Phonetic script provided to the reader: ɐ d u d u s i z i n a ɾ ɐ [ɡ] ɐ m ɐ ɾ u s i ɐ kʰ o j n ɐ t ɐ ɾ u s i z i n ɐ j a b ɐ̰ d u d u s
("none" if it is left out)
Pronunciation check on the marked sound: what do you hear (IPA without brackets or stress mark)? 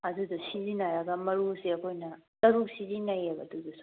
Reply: ɡ